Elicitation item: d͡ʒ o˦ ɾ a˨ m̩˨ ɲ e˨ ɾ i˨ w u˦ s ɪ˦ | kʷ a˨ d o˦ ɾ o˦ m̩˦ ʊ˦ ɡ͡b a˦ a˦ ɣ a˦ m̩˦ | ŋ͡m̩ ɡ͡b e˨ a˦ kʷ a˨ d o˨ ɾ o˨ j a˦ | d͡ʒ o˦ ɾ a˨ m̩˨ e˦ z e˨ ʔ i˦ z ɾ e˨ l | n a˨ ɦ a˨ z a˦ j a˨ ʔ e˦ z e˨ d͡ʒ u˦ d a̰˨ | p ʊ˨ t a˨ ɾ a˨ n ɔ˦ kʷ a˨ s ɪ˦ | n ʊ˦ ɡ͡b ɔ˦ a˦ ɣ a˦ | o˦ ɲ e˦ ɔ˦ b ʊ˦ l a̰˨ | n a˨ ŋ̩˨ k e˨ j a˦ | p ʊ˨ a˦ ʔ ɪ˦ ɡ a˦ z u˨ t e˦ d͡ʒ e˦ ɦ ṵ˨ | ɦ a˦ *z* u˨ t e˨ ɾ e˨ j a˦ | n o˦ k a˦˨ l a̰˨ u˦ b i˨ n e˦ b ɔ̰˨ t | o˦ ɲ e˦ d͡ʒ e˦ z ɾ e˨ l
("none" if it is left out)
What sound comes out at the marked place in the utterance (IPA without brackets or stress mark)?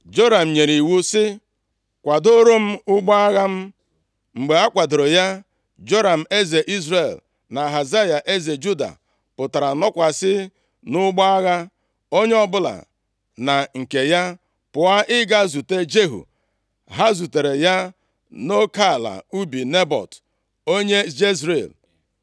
z